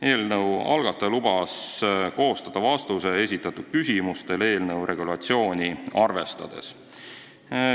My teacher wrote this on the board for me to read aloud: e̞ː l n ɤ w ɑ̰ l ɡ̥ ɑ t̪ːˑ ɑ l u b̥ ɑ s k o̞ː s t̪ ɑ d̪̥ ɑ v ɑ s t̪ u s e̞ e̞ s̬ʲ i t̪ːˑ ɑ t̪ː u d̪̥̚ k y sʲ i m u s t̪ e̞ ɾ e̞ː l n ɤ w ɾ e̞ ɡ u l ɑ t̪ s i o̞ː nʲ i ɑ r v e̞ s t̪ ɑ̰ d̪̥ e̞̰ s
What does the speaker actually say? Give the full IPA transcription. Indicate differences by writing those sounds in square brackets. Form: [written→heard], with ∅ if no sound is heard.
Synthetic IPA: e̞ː l n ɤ w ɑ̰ l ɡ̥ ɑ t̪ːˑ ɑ l u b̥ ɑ s k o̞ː s t̪ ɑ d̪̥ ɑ v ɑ s t̪ u s e̞ e̞ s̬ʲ i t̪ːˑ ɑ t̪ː u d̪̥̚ k y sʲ i m u s t̪ e̞ [ɾ→l] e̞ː l n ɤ w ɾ e̞ ɡ u l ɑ t̪ s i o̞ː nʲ i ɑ r v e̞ s t̪ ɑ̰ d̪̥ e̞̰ s